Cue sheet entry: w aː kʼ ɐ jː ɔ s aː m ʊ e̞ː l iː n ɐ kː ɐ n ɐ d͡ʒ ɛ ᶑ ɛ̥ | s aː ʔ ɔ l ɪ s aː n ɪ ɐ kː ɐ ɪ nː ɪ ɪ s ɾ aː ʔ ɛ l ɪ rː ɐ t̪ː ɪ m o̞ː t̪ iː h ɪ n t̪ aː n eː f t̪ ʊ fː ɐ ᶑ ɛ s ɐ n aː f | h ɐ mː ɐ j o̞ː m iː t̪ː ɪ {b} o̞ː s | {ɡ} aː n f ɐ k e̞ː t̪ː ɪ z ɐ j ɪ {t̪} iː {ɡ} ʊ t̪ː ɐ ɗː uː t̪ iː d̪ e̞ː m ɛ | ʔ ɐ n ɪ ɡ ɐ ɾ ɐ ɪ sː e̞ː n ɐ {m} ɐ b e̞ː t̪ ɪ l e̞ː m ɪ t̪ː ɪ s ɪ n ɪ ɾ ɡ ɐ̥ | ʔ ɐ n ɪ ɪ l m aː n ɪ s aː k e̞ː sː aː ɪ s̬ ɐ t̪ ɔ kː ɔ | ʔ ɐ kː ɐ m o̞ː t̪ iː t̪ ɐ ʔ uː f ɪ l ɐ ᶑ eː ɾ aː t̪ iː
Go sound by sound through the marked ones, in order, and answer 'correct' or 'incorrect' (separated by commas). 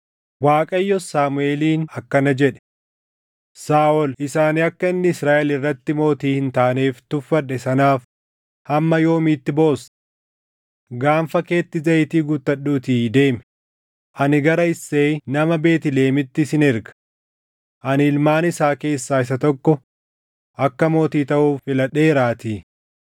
correct, correct, correct, correct, correct